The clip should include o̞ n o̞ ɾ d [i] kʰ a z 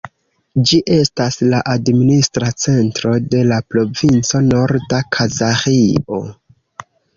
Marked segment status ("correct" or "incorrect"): incorrect